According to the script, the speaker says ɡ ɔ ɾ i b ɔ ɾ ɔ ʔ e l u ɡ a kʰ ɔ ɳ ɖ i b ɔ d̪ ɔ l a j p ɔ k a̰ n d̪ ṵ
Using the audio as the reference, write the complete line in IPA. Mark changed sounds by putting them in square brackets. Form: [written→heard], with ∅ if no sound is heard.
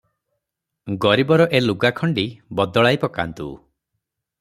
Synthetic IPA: ɡ ɔ ɾ i b ɔ ɾ ɔ ʔ e l u ɡ a kʰ ɔ ɳ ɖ i b ɔ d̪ ɔ [l→ɭ] a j p ɔ k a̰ n [d̪→t̪] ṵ